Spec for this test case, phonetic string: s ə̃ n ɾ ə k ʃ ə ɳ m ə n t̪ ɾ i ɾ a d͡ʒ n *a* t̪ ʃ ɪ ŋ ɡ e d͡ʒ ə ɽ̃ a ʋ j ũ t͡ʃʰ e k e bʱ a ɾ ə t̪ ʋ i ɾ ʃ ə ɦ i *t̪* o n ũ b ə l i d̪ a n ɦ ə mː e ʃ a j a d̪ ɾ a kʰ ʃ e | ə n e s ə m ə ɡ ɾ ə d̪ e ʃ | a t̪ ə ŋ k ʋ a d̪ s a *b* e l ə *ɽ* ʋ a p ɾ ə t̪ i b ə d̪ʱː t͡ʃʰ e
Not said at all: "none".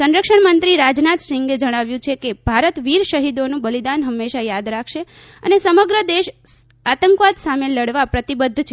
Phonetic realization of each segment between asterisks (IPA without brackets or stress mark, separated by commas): a, d̪, m, ɽ